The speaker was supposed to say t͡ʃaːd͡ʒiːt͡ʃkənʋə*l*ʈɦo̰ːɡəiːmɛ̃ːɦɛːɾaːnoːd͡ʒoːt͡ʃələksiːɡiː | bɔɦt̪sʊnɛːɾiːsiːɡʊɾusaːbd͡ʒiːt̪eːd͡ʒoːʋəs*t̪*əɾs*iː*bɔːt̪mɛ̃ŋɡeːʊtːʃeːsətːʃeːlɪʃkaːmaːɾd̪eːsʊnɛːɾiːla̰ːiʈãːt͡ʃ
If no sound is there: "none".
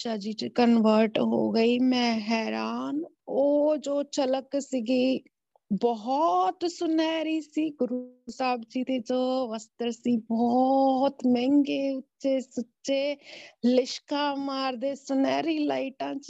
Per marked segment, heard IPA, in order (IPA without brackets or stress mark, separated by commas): ɾ, t̪, iː